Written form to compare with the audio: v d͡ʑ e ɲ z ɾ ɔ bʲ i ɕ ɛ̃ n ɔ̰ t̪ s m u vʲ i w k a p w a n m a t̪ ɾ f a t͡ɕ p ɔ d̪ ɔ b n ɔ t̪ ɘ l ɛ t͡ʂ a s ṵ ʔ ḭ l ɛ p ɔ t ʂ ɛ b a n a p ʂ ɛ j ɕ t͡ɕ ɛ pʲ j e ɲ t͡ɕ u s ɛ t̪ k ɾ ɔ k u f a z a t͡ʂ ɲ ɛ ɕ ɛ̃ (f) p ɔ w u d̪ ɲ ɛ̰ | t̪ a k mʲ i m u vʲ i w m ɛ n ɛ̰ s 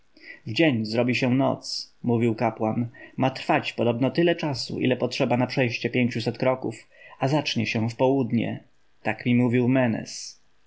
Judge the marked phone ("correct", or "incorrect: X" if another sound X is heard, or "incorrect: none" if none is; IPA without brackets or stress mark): correct